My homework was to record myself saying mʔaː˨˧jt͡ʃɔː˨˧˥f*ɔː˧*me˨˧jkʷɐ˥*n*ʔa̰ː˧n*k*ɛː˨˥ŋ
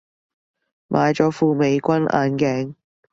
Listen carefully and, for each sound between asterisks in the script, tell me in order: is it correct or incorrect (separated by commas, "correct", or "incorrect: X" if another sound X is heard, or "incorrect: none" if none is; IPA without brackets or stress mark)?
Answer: incorrect: uː˧, correct, correct